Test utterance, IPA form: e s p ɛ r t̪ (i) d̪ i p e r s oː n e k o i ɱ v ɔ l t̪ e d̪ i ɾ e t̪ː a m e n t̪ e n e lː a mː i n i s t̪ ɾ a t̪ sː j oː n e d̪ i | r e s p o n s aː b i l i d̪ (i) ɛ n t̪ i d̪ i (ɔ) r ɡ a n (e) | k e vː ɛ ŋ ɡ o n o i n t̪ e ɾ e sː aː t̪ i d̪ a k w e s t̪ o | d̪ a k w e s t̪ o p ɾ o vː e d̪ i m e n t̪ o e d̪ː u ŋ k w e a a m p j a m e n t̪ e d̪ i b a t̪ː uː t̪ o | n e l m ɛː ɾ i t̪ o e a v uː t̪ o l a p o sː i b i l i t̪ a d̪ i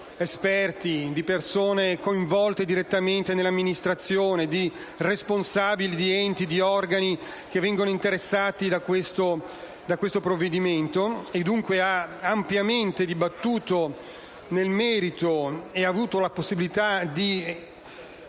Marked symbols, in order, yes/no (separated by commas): yes, yes, yes, no